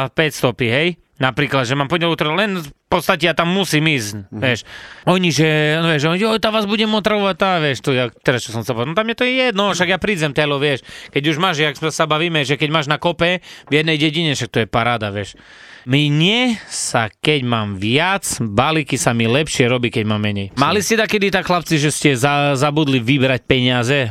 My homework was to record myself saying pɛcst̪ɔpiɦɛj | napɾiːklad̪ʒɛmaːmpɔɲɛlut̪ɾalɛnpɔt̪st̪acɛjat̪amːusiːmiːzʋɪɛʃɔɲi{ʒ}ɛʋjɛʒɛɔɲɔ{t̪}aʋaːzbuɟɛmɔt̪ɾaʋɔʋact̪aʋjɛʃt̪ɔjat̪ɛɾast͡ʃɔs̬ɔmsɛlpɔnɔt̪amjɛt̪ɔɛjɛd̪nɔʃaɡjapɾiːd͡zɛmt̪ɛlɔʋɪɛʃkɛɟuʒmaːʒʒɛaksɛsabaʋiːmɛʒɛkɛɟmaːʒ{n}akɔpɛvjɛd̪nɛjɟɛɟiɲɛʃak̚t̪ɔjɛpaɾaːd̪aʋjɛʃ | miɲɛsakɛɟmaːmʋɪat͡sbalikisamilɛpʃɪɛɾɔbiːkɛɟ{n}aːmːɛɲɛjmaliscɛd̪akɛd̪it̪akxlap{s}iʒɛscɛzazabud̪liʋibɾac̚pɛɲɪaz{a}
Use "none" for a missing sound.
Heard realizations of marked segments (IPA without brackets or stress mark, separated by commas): ʒ, t̪, n, m, t͡s, ɛ